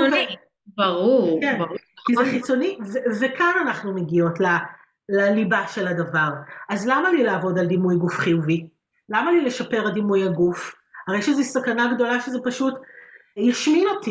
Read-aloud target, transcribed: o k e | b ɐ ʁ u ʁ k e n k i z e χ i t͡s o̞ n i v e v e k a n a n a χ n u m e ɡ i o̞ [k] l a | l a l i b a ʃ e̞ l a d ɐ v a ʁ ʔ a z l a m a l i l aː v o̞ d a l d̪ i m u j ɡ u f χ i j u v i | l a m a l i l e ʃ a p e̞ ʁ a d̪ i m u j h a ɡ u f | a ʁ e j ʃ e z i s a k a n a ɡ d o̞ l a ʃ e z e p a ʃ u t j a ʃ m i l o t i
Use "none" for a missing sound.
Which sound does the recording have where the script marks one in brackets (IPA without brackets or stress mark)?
t